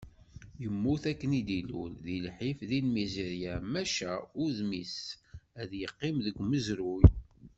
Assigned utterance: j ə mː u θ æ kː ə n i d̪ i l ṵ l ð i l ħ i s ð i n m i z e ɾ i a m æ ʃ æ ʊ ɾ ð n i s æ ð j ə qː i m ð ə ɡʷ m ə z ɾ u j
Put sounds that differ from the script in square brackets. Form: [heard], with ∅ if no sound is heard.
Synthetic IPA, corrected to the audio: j ə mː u θ æ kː ə n i d̪ i l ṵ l ð i l ħ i [f] ð i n m i z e ɾ [j] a m æ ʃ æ ʊ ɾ ð [m] i s æ ð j ə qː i m ð ə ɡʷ m ə z ɾ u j